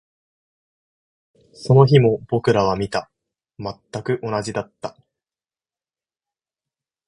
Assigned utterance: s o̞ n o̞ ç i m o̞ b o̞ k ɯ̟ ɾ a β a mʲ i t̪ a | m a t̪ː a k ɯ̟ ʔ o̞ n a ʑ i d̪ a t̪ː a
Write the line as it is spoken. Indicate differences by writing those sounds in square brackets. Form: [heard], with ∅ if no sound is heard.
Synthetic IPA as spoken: s o̞ n o̞ ç i m o̞ b o̞ k ɯ̟ ɾ a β a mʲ i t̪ a | m a t̪ː a k ɯ̟ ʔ o̞ n a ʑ i d̪ a t̪ː a

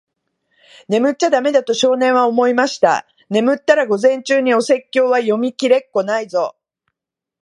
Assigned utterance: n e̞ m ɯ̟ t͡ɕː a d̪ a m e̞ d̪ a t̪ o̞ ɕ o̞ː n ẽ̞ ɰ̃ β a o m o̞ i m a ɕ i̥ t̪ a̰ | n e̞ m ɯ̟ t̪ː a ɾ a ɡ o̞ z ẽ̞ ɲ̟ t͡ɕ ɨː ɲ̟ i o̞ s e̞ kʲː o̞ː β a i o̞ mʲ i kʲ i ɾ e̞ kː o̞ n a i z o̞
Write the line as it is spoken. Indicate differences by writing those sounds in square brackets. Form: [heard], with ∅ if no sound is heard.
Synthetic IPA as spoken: n e̞ m ɯ̟ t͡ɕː a d̪ a m e̞ d̪ a t̪ o̞ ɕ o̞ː n ẽ̞ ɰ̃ β a o m o̞ i m a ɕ i̥ t̪ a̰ | n e̞ m ɯ̟ t̪ː a ɾ a ɡ o̞ z ẽ̞ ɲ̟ t͡ɕ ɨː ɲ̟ i o̞ s e̞ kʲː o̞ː β a [j] o̞ mʲ i kʲ i ɾ e̞ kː o̞ n a i z o̞

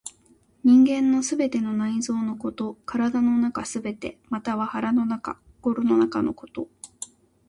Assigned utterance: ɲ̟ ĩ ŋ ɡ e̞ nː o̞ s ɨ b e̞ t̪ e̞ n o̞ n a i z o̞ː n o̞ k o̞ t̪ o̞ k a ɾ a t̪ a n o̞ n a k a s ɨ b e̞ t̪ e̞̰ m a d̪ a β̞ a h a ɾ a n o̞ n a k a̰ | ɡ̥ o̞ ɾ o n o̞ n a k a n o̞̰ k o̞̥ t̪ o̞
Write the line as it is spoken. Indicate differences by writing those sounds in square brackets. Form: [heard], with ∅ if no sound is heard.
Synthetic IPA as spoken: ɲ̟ ĩ ŋ ɡ [ẽ̞] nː o̞ s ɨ b e̞ t̪ e̞ n o̞ n a i z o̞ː n o̞ k o̞ t̪ o̞ k a ɾ a [d̪] a n o̞ n a k a s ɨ b e̞ t̪ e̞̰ m a [t̪] a β̞ a h a ɾ a n o̞ n a k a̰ | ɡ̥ o̞ ɾ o n o̞ n a k a n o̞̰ k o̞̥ t̪ o̞

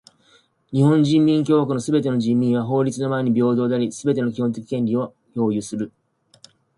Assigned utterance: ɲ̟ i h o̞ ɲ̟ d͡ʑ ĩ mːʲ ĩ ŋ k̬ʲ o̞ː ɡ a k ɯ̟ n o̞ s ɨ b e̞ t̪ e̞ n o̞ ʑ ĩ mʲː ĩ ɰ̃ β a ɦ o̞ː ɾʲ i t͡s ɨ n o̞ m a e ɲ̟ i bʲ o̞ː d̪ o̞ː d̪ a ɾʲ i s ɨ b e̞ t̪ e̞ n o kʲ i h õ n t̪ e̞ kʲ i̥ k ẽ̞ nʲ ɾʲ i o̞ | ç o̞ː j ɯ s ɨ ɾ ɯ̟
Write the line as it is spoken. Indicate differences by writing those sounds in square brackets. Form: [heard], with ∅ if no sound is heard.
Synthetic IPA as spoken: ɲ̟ i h [õ̞] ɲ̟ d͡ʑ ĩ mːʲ ĩ ŋ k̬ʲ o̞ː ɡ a k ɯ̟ n o̞ s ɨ b e̞ t̪ e̞ n o̞ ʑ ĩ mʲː ĩ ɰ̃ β a ɦ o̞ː ɾʲ i t͡s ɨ n o̞ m a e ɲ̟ i bʲ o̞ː d̪ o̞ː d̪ a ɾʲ i s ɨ b e̞ t̪ e̞ n o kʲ i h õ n t̪ e̞ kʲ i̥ k ẽ̞ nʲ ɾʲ i o̞ | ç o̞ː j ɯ s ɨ ɾ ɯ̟

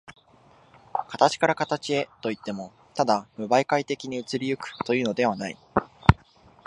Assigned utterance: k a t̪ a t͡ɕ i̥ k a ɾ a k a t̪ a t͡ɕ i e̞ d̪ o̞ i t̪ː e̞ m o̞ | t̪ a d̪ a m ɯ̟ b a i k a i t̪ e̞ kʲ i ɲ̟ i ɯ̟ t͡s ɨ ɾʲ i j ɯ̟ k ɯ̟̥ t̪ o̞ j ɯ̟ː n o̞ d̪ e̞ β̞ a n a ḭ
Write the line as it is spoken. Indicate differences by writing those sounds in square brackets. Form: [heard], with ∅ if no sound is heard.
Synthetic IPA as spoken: k a t̪ a t͡ɕ i̥ k a ɾ a k a t̪ a t͡ɕ i e̞ [t̪] o̞ i t̪ː e̞ m o̞ | t̪ a d̪ a m ɯ̟ b a i k a i t̪ e̞ kʲ i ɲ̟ i ɯ̟ t͡s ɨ ɾʲ i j ɯ̟ k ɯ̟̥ t̪ o̞ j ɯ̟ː n o̞ d̪ e̞ β̞ a n a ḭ

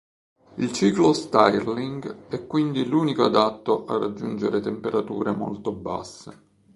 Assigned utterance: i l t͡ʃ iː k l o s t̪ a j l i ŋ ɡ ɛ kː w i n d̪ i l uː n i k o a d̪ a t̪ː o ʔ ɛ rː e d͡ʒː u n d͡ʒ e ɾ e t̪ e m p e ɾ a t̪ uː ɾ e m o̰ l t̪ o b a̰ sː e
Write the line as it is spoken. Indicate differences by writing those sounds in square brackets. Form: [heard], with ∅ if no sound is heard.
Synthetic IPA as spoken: i l t͡ʃ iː k l o s t̪ a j l i ŋ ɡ ɛ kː w i n d̪ i l uː n i k o a d̪ a t̪ː o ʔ [a] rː [a] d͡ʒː u n d͡ʒ e ɾ e t̪ e m p e ɾ a t̪ uː ɾ e m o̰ l t̪ o b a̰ sː e

